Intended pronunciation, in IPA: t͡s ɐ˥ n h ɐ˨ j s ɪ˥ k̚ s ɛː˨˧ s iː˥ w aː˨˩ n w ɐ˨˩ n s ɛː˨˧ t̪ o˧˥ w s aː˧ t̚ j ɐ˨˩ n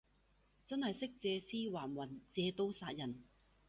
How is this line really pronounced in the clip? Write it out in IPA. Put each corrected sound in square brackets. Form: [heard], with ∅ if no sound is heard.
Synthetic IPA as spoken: t͡s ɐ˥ n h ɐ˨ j s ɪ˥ k̚ [t͡s] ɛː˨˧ s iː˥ w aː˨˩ n w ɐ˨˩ n [t͡s] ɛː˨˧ t̪ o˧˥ w s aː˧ t̚ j ɐ˨˩ n